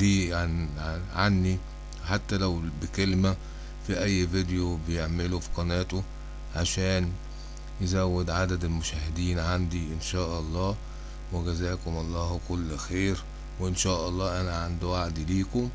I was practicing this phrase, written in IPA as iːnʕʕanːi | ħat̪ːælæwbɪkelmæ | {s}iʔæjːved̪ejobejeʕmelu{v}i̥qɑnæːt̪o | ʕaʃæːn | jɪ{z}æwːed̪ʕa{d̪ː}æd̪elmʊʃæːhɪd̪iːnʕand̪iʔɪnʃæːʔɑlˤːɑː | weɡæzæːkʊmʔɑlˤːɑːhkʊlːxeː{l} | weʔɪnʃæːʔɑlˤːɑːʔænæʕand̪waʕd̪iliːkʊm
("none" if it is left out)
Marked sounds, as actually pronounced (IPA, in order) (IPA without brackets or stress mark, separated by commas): f, f, z, d̪, ɾ